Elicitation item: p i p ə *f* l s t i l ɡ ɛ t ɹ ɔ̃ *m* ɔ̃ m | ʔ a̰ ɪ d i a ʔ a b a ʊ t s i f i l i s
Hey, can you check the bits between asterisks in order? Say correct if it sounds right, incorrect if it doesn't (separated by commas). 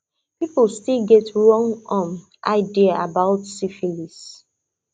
incorrect, incorrect